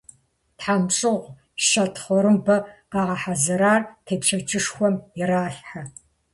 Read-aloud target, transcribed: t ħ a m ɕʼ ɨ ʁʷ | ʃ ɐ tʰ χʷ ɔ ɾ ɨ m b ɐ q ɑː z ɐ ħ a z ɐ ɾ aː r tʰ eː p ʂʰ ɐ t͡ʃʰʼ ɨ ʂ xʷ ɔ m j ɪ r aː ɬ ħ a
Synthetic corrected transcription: t ħ a m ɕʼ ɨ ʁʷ | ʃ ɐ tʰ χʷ ɔ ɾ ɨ m b ɐ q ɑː ʁ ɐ ħ a z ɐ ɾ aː r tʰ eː p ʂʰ ɐ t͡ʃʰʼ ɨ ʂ xʷ ɔ m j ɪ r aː ɬ ħ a